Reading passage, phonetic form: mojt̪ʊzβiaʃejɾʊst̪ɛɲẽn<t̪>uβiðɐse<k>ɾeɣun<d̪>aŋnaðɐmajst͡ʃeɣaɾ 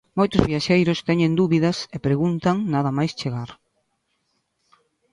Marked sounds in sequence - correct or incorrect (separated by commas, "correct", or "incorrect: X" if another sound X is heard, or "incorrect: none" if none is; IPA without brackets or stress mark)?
incorrect: d̪, incorrect: p, incorrect: t̪